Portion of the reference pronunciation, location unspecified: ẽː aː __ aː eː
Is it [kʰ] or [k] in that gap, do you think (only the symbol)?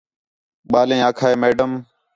kʰ